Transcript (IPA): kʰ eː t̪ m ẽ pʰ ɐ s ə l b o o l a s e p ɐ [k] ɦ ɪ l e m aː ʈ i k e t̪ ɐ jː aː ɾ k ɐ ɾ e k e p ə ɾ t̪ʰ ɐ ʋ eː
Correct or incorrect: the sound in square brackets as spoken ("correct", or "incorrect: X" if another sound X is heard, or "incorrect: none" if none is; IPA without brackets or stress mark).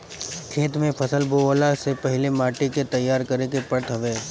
incorrect: none